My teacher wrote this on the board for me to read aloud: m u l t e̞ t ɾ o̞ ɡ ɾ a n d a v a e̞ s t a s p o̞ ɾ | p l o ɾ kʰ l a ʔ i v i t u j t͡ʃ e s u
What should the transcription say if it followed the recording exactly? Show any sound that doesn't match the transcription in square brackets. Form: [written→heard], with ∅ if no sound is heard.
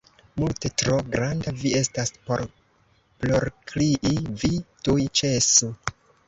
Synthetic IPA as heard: m u l t e̞ t ɾ o̞ ɡ ɾ a n d a v [a→i] e̞ s t a s p o̞ ɾ | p l o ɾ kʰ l [a→i] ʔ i v i t u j t͡ʃ e s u